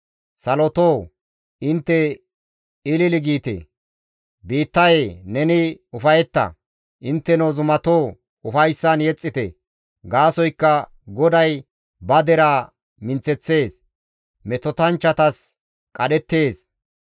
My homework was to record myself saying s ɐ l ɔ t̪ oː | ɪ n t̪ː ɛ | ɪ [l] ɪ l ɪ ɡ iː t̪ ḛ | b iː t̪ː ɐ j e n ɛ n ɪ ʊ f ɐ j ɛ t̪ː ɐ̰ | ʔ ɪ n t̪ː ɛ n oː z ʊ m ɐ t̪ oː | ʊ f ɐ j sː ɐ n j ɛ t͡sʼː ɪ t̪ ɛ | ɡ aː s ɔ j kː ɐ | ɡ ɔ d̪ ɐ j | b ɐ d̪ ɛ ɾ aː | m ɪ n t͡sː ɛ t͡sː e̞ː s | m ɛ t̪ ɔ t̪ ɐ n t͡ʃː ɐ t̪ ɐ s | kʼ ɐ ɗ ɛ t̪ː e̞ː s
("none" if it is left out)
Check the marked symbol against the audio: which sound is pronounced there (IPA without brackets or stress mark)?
l